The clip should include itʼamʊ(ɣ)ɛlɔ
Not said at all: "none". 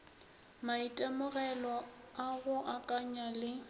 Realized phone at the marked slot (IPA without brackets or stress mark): ɣ